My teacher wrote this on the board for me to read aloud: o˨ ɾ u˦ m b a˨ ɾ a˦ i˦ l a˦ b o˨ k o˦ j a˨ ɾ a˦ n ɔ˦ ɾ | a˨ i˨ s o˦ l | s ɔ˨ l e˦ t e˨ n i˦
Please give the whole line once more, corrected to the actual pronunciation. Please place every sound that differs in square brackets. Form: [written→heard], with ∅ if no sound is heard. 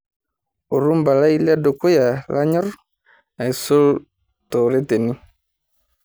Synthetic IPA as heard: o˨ ɾ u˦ m b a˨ [ɾ→l] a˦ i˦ l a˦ [b→d] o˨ k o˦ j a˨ [ɾ→l] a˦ [n→ɲ] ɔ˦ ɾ | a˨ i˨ s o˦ l | [s→t] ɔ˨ [l→ɾ] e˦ t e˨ n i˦